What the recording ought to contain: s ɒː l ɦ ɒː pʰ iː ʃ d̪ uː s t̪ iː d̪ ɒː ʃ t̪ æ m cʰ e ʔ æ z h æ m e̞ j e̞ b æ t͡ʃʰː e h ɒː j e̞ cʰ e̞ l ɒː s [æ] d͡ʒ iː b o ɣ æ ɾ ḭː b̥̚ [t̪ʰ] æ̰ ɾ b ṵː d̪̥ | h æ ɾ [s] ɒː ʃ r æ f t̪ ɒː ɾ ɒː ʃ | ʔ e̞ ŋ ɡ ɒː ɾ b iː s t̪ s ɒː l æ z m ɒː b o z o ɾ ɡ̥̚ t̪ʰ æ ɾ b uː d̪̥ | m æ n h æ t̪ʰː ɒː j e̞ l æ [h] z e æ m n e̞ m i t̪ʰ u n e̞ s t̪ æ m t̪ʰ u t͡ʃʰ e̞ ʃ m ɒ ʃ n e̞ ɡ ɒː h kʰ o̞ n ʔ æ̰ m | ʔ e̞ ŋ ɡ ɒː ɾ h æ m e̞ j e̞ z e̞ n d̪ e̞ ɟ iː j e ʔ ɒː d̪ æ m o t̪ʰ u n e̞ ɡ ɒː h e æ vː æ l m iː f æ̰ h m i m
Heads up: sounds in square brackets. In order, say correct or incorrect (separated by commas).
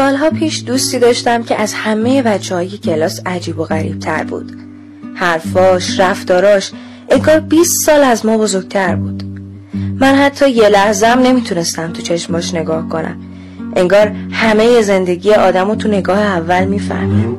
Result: correct, correct, incorrect, correct